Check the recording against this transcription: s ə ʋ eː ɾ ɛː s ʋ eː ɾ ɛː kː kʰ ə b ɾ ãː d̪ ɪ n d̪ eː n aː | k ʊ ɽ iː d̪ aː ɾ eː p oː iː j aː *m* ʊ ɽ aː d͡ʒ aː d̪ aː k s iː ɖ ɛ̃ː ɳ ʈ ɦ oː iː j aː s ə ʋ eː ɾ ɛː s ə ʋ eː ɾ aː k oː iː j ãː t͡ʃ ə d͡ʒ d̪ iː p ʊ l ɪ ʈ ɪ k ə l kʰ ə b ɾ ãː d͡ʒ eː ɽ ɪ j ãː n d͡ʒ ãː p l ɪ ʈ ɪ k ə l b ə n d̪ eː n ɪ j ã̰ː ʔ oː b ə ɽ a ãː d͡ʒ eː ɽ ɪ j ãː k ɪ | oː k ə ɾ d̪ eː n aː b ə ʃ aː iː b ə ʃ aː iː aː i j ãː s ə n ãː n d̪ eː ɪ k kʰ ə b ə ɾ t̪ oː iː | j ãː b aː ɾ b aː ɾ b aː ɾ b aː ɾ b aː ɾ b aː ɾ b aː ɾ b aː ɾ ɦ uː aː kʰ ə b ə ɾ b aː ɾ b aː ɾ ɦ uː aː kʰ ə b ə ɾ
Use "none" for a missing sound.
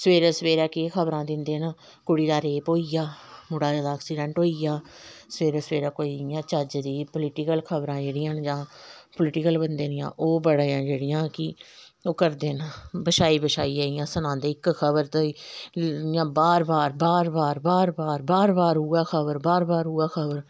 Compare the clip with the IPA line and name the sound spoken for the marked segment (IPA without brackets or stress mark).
m